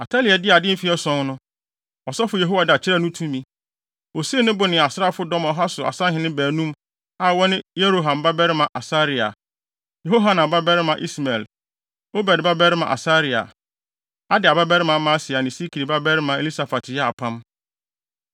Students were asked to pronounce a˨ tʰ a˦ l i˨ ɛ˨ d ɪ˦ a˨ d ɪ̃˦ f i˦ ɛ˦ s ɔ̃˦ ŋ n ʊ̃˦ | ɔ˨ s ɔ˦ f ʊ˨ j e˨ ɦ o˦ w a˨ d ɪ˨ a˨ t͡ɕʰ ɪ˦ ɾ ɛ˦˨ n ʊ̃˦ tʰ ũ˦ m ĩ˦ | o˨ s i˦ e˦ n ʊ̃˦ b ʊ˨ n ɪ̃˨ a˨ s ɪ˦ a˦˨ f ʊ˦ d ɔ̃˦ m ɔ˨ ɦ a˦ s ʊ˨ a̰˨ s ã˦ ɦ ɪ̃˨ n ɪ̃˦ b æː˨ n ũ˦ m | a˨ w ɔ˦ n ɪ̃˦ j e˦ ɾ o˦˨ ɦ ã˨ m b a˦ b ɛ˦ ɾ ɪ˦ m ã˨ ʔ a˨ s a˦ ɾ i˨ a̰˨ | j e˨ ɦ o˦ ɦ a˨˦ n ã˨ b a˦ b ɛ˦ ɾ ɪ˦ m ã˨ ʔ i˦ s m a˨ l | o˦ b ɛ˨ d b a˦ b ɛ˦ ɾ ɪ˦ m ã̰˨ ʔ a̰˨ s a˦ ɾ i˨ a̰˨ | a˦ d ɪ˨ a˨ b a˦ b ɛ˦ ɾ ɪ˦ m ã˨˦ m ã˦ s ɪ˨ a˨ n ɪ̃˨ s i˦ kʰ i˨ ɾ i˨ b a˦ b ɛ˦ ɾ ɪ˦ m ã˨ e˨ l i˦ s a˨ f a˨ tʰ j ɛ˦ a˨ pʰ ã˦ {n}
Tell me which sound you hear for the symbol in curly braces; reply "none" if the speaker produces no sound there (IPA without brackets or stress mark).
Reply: m